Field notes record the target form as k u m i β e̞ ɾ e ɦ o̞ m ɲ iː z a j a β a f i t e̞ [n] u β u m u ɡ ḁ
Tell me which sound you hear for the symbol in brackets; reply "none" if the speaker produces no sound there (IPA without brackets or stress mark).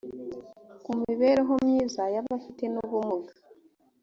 n